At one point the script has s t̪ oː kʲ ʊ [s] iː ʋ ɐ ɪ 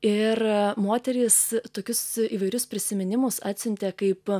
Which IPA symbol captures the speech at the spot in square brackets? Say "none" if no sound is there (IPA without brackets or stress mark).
s